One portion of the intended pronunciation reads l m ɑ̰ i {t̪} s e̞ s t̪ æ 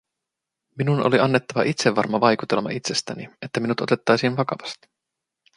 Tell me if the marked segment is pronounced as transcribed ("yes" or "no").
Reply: yes